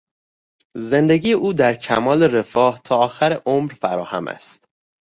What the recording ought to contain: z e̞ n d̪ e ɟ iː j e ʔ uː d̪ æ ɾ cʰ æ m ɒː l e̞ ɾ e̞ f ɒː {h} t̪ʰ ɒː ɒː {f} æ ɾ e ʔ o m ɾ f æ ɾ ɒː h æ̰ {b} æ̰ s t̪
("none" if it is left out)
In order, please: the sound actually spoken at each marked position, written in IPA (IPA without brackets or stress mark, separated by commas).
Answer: h, x, m